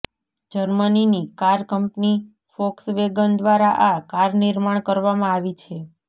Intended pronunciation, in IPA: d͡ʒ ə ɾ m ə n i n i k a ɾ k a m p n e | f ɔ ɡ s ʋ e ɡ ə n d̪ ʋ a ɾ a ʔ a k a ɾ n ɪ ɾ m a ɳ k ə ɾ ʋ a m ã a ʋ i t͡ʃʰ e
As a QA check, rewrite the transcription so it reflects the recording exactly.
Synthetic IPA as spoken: d͡ʒ ə ɾ m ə n i n i k a ɾ k ə m p n i | f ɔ k s ʋ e ɡ ə n d̪ ʋ a ɾ a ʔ a k a ɾ n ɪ ɾ m a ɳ k ə ɾ ʋ a m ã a ʋ i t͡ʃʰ e

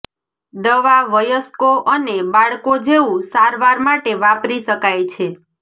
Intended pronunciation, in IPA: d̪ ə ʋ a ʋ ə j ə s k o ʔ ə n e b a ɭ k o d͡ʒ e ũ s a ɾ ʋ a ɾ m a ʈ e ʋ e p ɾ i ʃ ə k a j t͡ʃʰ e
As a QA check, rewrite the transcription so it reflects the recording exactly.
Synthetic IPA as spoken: d̪ ə ʋ a ʋ ə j ə s k o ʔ ə n e b a ɭ k o d͡ʒ e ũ s a ɾ ʋ a ɾ m a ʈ e ʋ a p ɾ i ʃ ə k a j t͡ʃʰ e

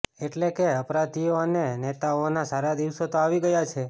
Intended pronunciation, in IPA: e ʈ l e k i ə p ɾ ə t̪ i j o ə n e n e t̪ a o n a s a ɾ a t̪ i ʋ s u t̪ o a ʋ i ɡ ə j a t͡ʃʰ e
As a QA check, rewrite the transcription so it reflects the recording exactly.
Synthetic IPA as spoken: e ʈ l e k e ə p ɾ a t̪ i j o ə n e n e t̪ a o n a s a ɾ a d̪ i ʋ s o t̪ o a ʋ i ɡ ə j a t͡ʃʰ e

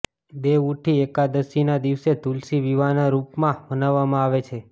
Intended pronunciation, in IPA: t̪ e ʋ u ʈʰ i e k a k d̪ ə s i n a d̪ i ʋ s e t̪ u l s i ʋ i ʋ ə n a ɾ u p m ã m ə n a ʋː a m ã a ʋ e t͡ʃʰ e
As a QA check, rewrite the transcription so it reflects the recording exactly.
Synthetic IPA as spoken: d̪ e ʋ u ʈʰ i e k a d̪ ə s i n a d̪ i ʋ s e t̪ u l s i ʋ i ʋ a n a ɾ u p m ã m ə n a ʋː a m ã a ʋ e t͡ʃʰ e

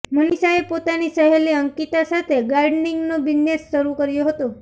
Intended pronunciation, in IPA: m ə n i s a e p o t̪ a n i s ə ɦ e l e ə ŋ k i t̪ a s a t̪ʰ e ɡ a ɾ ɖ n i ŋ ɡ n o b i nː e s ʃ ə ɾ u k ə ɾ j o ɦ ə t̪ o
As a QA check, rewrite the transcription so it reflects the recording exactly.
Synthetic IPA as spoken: m ə n i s a e p o t̪ a n i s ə ɦ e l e ə ŋ k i t̪ a s a t̪ʰ e ɡ a ɾ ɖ n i ŋ ɡ n o b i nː e s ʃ ə ɾ u k ə ɾ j o ɦ ə t̪ o

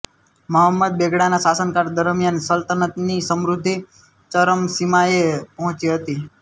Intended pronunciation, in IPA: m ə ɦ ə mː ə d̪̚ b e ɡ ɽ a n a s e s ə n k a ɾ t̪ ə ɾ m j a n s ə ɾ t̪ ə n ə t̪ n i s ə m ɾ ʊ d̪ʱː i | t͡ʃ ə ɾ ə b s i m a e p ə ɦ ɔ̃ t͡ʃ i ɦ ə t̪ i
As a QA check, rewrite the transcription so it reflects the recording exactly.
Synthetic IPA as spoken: m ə ɦ ə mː ə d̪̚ b e ɡ ɽ a n a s a s ə n k a ɾ d̪ ə ɾ m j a n s ə l t̪ ə n ə t̪ n i s ə m ɾ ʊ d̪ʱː i | t͡ʃ ə ɾ ə m s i m a e p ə ɦ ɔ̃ t͡ʃ i ɦ ə t̪ i

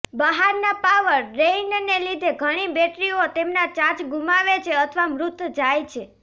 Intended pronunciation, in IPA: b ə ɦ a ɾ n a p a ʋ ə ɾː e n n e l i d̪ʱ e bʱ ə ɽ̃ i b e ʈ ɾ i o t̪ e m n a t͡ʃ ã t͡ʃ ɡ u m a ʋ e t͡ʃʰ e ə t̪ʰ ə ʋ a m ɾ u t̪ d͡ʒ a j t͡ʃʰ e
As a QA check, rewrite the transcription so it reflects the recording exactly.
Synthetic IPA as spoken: b ə ɦ a ɾ n a p a ʋ ə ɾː e n n e l i d̪ʱ e ɡʱ ə ɽ̃ i b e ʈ ɾ i o t̪ e m n a t͡ʃ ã t͡ʃ ɡ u m a ʋ e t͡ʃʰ e ə t̪ʰ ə ʋ a m ɾ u t̪ d͡ʒ a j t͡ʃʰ e

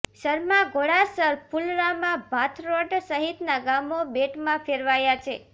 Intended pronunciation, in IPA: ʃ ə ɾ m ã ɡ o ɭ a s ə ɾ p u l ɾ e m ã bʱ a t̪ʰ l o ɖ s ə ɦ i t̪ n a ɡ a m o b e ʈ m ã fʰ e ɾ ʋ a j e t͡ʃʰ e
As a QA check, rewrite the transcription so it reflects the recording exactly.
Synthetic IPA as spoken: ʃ ə ɾ m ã ɡ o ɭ a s ə ɾ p u l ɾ a m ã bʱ a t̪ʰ ɾ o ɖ s ə ɦ i t̪ n a ɡ a m o b e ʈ m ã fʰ e ɾ ʋ a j a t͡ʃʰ e

